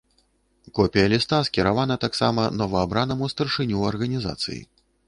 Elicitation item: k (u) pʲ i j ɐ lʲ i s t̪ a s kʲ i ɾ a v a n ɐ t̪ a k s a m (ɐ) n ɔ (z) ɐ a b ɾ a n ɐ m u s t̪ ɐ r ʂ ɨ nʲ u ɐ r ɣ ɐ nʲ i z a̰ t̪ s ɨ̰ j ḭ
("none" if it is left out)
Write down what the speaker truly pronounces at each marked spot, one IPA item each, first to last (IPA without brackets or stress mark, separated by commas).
ɔ, ɐ, v